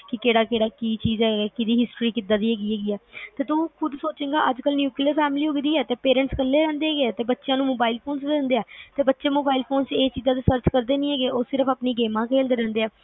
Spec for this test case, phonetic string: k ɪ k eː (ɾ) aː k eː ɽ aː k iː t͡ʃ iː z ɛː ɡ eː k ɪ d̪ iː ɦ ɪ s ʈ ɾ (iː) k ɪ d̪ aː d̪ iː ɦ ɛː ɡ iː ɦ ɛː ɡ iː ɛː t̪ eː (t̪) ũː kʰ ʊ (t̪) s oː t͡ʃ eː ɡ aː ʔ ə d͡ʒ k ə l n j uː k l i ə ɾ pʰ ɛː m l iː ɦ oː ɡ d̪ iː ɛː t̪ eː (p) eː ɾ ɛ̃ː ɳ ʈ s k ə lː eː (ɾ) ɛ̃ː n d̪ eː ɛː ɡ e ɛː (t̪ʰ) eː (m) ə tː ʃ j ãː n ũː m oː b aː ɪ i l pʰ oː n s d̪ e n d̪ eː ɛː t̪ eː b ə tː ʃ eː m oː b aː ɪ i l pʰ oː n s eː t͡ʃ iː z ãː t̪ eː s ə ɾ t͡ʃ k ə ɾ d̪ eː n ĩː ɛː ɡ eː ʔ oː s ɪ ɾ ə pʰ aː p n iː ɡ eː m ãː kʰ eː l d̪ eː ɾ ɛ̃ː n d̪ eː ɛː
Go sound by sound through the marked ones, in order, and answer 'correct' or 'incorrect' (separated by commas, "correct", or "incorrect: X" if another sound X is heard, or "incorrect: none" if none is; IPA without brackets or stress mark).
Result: incorrect: ɽ, correct, correct, incorrect: d̪, correct, correct, incorrect: t̪, incorrect: b